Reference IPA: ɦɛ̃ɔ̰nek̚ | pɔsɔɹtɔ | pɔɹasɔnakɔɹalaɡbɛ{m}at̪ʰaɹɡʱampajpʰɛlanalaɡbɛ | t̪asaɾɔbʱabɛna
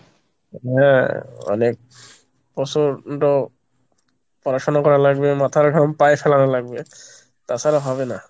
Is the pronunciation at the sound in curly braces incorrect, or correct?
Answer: correct